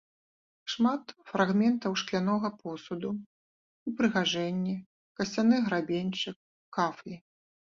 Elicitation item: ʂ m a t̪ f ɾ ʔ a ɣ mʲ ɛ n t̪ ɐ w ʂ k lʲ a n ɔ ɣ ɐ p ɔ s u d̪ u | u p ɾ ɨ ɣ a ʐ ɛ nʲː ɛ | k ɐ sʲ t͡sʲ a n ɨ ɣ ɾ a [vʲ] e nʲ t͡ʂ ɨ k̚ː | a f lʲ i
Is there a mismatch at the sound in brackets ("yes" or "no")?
yes